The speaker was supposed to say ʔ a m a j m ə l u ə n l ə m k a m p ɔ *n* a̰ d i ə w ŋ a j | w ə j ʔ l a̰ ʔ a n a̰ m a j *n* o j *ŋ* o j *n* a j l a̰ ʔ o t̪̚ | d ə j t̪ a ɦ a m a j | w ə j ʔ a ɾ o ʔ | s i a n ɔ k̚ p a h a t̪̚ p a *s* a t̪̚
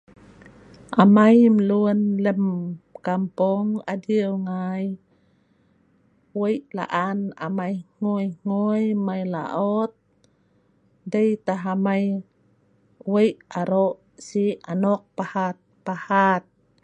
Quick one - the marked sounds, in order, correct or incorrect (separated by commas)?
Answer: incorrect, incorrect, correct, incorrect, incorrect